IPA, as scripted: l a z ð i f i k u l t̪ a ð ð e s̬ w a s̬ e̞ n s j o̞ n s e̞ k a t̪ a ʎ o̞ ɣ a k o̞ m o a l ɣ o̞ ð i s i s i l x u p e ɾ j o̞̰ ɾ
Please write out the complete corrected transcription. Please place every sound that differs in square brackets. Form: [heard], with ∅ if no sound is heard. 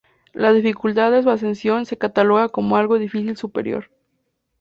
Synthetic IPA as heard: l a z ð i f i k u l t̪ a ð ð e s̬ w a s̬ e̞ n s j o̞ n s e̞ k a t̪ a [l] o̞ ɣ a k o̞ m o a l ɣ o̞ ð i [f] i s i l [s] u p e ɾ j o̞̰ ɾ